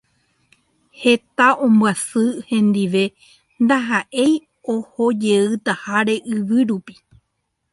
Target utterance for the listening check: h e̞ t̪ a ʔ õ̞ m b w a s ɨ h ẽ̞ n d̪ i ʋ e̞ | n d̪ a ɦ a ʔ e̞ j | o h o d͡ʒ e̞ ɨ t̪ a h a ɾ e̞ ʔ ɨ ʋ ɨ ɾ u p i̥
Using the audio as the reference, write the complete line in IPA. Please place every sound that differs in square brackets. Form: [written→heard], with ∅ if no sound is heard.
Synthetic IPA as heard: h e̞ t̪ a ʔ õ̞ m b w a s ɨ h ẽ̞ n d̪ i ʋ e̞ | n d̪ a ɦ a ʔ e̞ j | o h o d͡ʒ e̞ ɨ t̪ a h a ɾ e̞ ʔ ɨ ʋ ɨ ɾ u p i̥